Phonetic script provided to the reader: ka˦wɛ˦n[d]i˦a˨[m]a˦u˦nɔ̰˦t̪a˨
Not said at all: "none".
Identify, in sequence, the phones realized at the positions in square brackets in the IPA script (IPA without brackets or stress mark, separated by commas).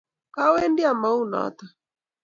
d, m